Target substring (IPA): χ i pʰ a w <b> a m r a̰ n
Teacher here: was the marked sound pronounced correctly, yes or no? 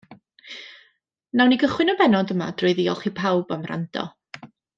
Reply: yes